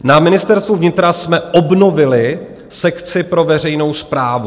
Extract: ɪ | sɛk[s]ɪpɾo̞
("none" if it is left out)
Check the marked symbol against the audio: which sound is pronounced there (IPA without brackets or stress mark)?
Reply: t͡s